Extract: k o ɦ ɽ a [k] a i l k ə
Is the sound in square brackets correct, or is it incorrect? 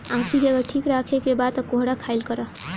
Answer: incorrect: kʰ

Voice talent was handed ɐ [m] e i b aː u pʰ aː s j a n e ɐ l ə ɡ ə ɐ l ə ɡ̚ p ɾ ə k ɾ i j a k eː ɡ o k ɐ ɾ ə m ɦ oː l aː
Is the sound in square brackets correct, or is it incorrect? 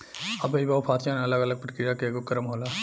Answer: incorrect: b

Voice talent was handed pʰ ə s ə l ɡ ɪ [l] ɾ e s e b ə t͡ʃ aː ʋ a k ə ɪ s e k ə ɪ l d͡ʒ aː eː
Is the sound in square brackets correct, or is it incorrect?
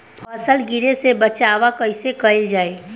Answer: incorrect: none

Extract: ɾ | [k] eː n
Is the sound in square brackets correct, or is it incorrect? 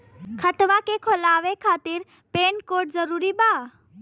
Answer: incorrect: p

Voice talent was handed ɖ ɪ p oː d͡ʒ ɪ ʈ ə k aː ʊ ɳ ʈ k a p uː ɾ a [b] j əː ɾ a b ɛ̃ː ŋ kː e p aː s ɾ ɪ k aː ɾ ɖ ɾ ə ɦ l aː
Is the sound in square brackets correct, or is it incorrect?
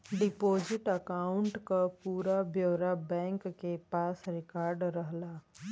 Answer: correct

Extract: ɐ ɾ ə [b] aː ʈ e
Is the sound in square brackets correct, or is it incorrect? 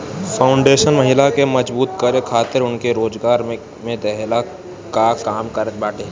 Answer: correct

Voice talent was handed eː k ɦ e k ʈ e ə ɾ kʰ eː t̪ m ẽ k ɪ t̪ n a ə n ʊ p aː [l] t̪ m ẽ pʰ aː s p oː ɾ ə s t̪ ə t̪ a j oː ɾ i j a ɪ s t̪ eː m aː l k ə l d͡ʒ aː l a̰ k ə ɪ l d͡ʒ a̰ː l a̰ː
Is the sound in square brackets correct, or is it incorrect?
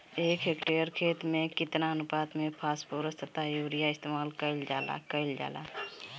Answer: incorrect: none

